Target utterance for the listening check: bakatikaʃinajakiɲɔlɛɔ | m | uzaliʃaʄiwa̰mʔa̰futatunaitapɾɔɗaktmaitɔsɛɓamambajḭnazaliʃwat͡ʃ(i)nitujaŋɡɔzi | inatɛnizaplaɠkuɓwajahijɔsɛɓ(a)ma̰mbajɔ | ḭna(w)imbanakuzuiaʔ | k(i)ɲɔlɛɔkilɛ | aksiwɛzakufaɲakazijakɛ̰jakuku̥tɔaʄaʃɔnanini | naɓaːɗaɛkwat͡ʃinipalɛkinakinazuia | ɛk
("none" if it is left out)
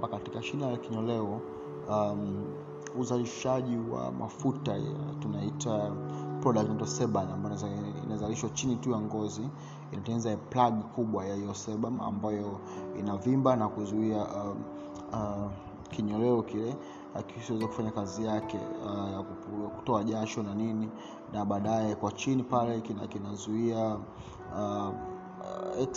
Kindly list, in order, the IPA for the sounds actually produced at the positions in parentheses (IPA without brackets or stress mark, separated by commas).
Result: i, a, v, i